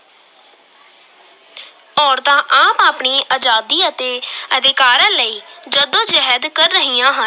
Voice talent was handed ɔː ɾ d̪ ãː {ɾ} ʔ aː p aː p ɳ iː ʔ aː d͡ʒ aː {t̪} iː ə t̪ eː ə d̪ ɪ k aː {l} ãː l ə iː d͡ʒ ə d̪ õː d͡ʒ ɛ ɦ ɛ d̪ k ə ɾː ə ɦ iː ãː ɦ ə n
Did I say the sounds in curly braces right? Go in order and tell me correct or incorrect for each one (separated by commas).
incorrect, incorrect, incorrect